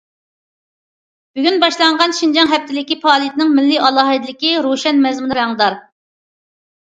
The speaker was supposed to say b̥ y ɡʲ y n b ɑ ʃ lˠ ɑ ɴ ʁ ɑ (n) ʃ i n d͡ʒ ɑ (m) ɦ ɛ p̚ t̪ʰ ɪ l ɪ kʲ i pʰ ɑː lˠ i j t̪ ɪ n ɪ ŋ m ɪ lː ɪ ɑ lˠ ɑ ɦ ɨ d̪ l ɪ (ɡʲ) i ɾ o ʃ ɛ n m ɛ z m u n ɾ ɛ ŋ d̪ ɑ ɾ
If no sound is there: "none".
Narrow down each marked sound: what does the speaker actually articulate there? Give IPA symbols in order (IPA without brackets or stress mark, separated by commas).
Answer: n, ŋ, kʲ